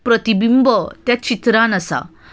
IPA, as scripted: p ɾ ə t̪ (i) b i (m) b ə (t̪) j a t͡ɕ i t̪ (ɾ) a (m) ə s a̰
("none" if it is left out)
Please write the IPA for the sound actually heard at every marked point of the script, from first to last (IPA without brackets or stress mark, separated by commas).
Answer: i, m, t̪, ɾ, n